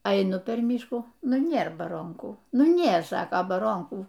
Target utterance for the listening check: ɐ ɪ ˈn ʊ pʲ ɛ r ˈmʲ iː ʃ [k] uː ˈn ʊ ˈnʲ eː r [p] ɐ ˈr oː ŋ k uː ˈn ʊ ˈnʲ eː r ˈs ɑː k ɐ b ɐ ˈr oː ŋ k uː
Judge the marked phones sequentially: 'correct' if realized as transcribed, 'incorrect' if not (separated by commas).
correct, incorrect